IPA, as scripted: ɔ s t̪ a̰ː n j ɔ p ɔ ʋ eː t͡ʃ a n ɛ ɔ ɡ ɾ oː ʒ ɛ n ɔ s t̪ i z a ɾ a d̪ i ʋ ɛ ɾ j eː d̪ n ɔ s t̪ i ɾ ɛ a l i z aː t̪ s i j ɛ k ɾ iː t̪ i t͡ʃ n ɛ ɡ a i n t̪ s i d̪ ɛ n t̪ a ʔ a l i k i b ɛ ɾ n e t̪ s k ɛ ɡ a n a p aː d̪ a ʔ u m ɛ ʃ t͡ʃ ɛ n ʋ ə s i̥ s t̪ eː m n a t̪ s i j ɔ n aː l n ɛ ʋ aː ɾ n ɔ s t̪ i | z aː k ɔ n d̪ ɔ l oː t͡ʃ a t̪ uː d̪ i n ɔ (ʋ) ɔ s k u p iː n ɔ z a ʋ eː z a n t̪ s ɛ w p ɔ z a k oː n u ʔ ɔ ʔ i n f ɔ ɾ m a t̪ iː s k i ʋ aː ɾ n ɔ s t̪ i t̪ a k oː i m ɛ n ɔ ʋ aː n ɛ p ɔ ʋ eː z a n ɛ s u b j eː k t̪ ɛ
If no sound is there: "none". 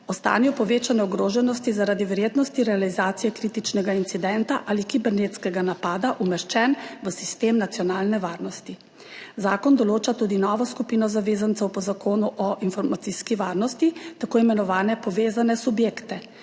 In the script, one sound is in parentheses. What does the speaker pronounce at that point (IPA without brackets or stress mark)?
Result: ʋ